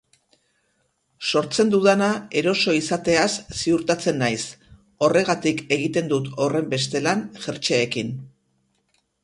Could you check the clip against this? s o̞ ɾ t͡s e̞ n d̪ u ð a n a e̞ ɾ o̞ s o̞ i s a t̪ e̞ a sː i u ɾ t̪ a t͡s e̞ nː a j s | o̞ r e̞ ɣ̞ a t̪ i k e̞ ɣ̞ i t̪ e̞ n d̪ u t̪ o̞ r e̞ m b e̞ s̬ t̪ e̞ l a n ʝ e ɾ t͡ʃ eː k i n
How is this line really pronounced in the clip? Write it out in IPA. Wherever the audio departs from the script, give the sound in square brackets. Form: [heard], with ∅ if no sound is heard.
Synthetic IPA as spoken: s o̞ ɾ t͡s e̞ n d̪ u ð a n a e̞ ɾ o̞ s o̞ i s a t̪ e̞ a sː i u ɾ t̪ a t͡s e̞ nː a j s | o̞ r e̞ ɣ̞ a t̪ i k e̞ ɣ̞ i t̪ e̞ n d̪ u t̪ o̞ r e̞ m b e̞ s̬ t̪ e̞ l a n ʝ e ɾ t͡ʃ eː k i n